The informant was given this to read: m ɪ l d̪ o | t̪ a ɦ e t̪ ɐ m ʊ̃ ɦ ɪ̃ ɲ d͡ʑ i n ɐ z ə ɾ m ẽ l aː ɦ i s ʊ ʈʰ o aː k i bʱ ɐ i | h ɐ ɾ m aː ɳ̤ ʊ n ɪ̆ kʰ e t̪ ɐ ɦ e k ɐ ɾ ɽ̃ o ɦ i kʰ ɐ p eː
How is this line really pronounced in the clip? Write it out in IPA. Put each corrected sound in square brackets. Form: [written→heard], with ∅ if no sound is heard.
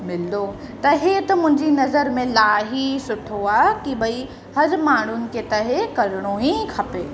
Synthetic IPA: m ɪ l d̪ o | t̪ [a→ɐ] ɦ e t̪ ɐ m ʊ̃ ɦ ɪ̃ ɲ d͡ʑ i n ɐ z ə ɾ m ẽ l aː ɦ i s ʊ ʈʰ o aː k i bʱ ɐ i | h ɐ ɾ m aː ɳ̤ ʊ n ɪ̆ [kʰ→k] e t̪ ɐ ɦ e k ɐ ɾ ɽ̃ o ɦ i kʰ ɐ p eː